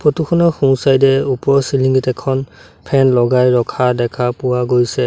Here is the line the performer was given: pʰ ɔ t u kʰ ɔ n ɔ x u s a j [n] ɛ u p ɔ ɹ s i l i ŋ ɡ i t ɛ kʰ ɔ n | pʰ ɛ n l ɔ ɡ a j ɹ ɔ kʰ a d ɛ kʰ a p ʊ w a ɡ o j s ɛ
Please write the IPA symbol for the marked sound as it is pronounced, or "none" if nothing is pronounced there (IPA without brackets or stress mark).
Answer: d